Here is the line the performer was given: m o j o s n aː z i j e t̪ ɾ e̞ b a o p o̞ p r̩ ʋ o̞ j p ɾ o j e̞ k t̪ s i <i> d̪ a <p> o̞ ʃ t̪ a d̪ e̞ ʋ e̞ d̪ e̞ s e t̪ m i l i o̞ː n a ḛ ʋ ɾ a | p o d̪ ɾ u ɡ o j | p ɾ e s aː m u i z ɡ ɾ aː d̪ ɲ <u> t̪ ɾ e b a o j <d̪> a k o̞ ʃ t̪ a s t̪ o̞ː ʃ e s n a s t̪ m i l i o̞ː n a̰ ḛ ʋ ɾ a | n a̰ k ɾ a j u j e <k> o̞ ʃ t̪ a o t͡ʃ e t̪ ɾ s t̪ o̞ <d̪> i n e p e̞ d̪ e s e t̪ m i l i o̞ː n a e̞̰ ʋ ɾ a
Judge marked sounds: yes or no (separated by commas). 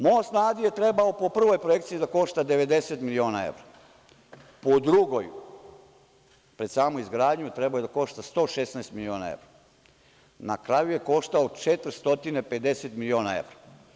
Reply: yes, no, yes, yes, yes, no